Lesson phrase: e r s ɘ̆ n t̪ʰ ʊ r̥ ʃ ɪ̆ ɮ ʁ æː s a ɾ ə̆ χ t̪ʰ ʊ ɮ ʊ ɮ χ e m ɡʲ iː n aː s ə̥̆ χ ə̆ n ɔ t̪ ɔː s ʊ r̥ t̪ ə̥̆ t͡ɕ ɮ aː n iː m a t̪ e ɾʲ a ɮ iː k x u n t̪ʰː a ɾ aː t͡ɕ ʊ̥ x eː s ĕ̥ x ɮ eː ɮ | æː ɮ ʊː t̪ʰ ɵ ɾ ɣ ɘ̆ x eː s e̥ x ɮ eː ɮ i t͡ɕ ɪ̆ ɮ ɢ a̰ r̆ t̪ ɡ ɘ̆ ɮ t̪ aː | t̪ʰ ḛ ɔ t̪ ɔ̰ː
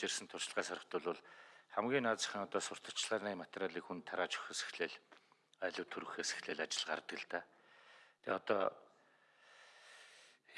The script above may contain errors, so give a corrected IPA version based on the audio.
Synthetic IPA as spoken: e r s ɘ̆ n t̪ʰ ʊ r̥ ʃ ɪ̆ ɮ ʁ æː s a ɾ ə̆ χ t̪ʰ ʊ ɮ ʊ ɮ χ æ m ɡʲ iː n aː t͡s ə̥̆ χ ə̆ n ɔ t̪ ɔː s ʊ r̥ t̪ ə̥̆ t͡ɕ ɮ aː n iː m a t̪ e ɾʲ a ɮ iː k x u n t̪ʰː a ɾ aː t͡ɕ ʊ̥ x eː s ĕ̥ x ɮ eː ɮ | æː ɮ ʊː t̪ʰ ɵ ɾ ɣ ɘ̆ x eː s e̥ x ɮ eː ɮ a t͡ɕ ɪ̆ ɮ ɢ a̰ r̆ t̪ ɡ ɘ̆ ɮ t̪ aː | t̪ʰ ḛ ɔ t̪ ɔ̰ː